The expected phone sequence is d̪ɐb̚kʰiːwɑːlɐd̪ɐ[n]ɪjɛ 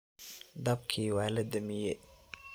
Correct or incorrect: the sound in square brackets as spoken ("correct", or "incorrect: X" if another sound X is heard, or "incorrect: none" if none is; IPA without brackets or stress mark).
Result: incorrect: m